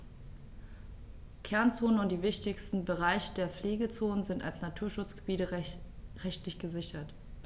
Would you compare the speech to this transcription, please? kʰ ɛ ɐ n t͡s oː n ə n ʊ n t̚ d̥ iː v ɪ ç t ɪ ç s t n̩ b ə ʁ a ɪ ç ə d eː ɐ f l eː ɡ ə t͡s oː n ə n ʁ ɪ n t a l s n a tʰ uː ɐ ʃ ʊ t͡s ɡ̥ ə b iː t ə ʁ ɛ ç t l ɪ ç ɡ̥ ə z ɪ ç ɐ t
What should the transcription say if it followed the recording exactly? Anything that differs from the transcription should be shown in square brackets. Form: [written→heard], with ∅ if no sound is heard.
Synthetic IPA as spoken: kʰ ɛ ɐ n t͡s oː n ə n ʊ n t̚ d̥ iː v ɪ ç t ɪ ç s t n̩ b ə ʁ a ɪ ç ə d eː ɐ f l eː ɡ ə t͡s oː n ə n [ʁ→z] ɪ n t a l s n a tʰ uː ɐ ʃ ʊ t͡s ɡ̥ ə b iː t ə ʁ ɛ ç t l ɪ ç ɡ̥ ə z ɪ ç ɐ t